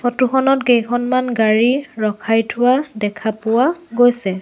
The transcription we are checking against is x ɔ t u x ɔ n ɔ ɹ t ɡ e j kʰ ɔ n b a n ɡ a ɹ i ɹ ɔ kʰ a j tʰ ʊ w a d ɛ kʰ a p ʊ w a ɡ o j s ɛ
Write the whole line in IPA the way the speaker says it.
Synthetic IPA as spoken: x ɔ t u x ɔ n ɔ t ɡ e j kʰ ɔ n m a n ɡ a ɹ i ɹ ɔ kʰ a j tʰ ʊ w a d ɛ kʰ a p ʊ w a ɡ o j s ɛ